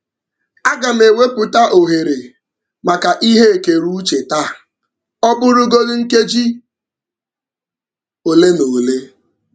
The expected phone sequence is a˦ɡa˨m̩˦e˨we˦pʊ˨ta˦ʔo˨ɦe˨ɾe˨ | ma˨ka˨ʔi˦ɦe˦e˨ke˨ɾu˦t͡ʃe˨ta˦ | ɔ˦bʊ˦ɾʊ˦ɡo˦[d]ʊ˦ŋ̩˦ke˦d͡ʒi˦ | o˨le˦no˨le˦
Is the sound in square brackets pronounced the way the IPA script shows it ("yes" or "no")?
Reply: yes